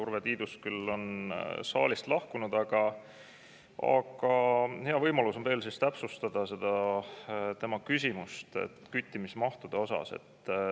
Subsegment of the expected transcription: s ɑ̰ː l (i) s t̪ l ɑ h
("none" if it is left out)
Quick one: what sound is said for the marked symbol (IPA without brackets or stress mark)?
i